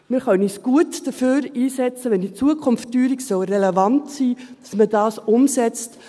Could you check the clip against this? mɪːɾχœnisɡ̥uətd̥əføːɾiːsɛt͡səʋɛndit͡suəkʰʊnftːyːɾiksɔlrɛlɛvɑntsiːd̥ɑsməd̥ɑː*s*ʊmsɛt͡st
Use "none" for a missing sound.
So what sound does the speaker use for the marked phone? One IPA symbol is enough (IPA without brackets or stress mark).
s